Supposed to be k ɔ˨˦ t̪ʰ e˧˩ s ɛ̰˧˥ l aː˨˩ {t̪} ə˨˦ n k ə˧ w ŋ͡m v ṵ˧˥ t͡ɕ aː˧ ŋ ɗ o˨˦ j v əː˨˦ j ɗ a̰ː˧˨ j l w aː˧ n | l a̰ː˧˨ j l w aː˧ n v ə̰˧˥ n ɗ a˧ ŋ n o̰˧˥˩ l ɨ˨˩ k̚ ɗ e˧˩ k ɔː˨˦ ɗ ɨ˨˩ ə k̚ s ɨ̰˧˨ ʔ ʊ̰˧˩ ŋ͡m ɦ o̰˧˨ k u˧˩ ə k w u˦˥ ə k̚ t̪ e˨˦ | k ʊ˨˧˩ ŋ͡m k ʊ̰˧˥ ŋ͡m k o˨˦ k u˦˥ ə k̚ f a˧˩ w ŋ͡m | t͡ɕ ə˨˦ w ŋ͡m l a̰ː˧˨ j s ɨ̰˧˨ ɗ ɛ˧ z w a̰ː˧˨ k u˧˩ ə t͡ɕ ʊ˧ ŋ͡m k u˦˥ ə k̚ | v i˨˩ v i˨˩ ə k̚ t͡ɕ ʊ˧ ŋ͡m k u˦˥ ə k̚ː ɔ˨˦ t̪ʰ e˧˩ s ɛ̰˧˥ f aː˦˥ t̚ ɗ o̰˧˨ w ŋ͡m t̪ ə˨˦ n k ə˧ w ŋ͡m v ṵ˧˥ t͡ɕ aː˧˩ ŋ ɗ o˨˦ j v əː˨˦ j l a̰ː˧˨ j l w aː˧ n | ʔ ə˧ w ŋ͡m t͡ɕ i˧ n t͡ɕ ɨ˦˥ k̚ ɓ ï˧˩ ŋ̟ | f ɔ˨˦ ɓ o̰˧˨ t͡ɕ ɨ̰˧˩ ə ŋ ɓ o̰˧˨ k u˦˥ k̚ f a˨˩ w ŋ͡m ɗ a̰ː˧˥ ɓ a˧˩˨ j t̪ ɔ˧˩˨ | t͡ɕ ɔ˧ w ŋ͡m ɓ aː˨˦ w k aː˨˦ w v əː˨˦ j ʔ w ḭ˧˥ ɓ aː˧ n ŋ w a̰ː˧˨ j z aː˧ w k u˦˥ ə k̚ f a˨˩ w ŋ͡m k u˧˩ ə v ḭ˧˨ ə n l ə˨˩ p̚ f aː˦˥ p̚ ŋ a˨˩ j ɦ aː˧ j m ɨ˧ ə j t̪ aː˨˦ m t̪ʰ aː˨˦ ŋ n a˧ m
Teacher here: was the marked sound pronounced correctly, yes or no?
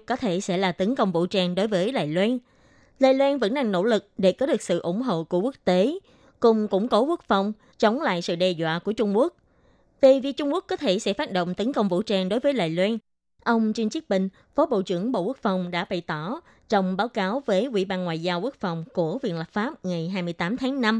yes